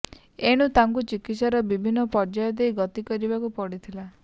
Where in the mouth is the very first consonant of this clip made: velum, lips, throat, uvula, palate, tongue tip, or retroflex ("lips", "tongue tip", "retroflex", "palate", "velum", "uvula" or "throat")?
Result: retroflex